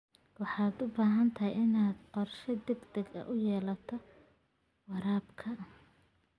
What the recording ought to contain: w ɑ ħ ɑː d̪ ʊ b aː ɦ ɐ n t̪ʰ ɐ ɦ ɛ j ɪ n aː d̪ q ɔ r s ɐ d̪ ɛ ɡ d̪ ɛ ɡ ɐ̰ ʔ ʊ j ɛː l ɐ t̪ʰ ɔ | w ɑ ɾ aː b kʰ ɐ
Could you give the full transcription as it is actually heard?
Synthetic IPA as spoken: w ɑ ħ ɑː d̪ ʊ b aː ɦ ɐ n t̪ʰ ɐ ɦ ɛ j ɪ n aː d̪ q ɔ r ʃ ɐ d̪ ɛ ɡ d̪ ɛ ɡ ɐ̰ ʔ ʊ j ɛː l ɐ t̪ʰ ɔ | w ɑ ɾ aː b kʰ ɐ